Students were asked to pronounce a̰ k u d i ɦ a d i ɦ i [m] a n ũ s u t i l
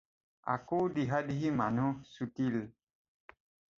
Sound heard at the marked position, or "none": m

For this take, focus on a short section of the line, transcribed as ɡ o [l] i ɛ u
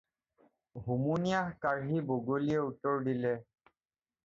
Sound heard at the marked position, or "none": l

